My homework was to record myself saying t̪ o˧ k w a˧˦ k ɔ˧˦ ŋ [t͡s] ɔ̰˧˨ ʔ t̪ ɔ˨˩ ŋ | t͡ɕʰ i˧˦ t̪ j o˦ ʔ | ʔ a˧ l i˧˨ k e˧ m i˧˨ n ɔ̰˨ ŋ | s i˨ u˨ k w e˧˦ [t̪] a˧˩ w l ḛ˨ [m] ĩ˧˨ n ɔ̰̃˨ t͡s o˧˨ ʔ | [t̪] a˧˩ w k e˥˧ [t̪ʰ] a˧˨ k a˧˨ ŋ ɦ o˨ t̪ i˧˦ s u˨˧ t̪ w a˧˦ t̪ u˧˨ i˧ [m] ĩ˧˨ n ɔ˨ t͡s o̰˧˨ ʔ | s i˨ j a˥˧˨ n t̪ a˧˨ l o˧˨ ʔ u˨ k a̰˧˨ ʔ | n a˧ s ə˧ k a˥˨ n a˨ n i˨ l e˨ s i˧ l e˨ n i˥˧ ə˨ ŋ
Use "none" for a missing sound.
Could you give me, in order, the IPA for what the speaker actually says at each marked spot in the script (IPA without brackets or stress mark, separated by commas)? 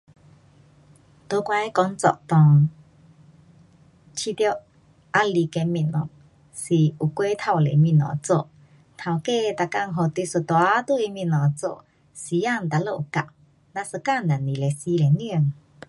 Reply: t͡s, t̪ʰ, m, t̪ʰ, t̪, m